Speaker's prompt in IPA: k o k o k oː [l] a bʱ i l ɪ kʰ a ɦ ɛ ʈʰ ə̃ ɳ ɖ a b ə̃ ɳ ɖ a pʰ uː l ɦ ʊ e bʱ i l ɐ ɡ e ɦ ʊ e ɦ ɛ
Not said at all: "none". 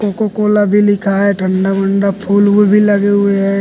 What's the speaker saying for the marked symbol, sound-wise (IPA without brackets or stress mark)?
l